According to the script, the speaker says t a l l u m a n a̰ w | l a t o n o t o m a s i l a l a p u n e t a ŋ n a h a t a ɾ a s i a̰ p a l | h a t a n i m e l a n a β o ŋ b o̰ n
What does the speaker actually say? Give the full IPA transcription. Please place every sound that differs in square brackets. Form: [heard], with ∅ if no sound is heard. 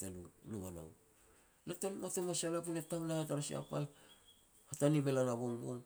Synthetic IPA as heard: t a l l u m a n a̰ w | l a t o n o t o m a s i [∅] a l a p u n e t a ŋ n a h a t a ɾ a s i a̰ p a l | h a t a n i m e l a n a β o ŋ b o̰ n

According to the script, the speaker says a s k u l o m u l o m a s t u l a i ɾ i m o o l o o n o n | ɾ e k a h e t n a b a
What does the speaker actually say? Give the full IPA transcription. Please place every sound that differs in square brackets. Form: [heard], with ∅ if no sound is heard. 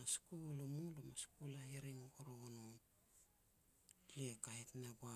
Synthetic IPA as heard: a s k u l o m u l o m a s [k] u l a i ɾ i [ŋ] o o [ɾ] o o n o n | [l] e k a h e t n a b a

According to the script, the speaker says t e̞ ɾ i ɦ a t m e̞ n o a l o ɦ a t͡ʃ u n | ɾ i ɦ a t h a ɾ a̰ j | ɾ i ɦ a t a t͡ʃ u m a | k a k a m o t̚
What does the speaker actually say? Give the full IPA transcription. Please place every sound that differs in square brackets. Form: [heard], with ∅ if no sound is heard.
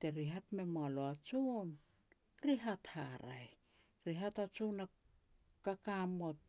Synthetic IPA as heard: t e̞ ɾ i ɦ a t m e̞ [m] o a l o [∅] a t͡ʃ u n | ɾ i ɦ a t h a ɾ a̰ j | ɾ i ɦ a t a t͡ʃ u [n] a | k a k a m o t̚

